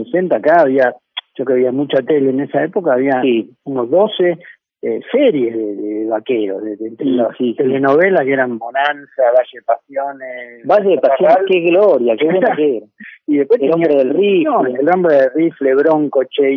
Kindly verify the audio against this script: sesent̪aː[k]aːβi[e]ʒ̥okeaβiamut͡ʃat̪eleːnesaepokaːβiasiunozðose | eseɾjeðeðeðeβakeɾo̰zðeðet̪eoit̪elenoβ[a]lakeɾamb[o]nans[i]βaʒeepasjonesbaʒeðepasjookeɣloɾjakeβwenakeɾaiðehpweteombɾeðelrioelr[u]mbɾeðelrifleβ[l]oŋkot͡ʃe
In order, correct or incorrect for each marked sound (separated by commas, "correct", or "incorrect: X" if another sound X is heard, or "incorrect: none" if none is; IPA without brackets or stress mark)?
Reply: correct, incorrect: a, incorrect: e, correct, incorrect: a, incorrect: o, incorrect: ɾ